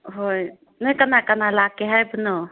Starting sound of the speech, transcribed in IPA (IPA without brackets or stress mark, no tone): ɦ